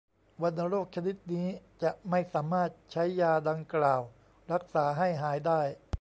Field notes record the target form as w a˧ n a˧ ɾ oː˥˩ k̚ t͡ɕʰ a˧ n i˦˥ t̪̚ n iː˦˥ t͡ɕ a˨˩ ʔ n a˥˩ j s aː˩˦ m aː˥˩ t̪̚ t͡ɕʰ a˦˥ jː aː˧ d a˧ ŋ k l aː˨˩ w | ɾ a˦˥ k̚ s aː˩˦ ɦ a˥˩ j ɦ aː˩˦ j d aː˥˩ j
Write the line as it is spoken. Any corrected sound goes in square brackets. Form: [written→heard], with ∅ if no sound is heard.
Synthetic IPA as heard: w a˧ n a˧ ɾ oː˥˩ k̚ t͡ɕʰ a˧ n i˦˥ t̪̚ n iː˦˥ t͡ɕ a˨˩ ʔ [n→m] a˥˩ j s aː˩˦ m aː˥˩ t̪̚ t͡ɕʰ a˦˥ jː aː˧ d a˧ ŋ k l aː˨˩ w | ɾ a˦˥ k̚ s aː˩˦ ɦ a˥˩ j ɦ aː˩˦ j d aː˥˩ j